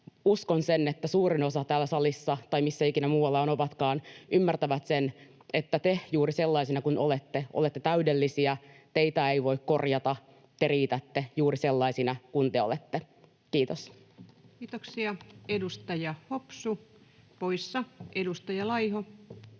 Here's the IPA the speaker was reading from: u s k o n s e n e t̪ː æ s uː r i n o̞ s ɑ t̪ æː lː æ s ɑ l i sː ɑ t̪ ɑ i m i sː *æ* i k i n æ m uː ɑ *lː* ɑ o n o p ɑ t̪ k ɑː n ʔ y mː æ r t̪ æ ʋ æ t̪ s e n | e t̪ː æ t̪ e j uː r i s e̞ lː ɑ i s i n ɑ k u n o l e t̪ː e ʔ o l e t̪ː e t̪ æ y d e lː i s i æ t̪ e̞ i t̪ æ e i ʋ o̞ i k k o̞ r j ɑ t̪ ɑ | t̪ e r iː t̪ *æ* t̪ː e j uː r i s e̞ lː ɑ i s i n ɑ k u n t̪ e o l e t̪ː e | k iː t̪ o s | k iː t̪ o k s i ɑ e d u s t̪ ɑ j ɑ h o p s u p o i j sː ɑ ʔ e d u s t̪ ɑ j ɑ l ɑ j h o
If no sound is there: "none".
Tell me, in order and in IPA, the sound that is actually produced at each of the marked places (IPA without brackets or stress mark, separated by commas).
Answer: æ, lː, æ